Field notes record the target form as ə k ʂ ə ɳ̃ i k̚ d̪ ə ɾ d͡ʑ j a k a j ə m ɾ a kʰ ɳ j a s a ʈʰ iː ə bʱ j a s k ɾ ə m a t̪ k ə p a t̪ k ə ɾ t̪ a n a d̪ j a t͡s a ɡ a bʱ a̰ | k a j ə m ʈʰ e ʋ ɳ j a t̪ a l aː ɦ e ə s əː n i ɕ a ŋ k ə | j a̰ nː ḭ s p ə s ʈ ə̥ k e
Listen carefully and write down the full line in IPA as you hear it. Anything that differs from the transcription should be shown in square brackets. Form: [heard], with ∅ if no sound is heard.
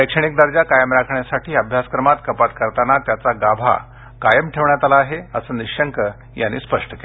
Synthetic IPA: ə k ʂ ə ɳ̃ i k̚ d̪ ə ɾ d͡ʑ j a k a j ə m ɾ a kʰ ɳ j a s a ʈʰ iː ə bʱ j a s k ɾ ə m a t̪ k ə p a t̪ k ə ɾ t̪ a n a [t̪] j a t͡s a ɡ a bʱ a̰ | k a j ə m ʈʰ e ʋ ɳ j a t̪ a l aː ɦ e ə s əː n i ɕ [ə] ŋ k ə | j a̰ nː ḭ s p ə [ʂ] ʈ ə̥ k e